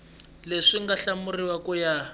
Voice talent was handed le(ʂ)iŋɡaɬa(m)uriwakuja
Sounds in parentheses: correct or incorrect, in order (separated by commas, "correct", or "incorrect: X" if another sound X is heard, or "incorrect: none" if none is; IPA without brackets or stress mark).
correct, correct